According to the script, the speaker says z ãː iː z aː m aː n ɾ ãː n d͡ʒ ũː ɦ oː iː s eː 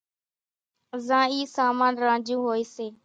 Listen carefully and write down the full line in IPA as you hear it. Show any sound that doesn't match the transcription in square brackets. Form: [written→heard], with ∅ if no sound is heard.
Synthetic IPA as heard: z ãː iː [z→s] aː m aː n ɾ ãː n d͡ʒ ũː ɦ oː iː s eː